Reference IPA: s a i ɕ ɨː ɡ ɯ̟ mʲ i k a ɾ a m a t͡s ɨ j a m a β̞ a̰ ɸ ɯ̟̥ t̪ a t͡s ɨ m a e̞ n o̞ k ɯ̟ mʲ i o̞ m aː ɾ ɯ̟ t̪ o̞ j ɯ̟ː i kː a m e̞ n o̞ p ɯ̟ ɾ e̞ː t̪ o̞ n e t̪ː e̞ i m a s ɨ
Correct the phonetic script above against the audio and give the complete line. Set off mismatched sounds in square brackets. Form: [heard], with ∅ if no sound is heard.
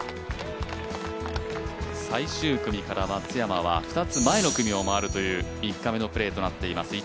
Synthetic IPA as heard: s a i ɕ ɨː [k] ɯ̟ mʲ i k a ɾ a m a t͡s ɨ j a m a β̞ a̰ ɸ ɯ̟̥ t̪ a t͡s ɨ m a e̞ n o̞ k ɯ̟ mʲ i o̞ m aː ɾ ɯ̟ t̪ o̞ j ɯ̟ː i kː a m e̞ n o̞ p ɯ̟ ɾ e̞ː t̪ o̞ n [a] t̪ː e̞ i m a s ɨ